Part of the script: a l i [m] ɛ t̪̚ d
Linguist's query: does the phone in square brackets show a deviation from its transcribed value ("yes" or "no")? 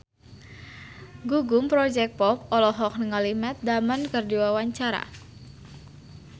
no